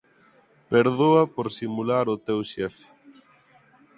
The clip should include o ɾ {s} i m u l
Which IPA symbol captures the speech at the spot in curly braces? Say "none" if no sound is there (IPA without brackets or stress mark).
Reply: s